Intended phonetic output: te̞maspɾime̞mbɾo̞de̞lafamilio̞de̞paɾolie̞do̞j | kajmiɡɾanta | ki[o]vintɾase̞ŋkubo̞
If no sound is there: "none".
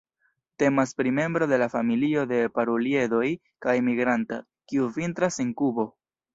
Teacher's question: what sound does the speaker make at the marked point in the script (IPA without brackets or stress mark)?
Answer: u